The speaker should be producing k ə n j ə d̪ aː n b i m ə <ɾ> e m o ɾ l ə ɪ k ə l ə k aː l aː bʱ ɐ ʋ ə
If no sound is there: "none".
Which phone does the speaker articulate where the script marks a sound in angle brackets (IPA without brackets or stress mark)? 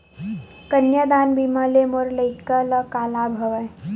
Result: l